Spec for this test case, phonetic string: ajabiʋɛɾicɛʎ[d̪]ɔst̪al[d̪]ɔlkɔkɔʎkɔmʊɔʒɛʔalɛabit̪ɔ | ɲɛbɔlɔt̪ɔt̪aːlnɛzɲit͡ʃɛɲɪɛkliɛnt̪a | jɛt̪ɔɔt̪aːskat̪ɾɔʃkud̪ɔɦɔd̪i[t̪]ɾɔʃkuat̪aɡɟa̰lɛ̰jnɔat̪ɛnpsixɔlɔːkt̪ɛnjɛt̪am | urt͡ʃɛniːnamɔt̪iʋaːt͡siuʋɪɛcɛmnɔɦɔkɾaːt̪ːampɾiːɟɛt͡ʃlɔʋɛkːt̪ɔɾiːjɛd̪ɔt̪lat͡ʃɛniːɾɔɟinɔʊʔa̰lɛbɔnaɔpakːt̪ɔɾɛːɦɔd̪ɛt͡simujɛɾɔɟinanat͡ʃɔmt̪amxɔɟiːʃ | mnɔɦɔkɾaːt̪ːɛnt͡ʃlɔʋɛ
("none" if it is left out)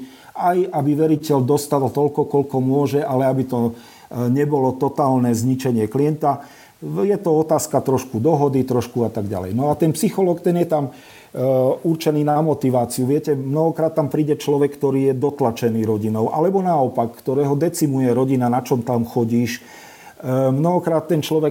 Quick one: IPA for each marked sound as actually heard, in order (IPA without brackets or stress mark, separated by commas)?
d̪, t̪, t̪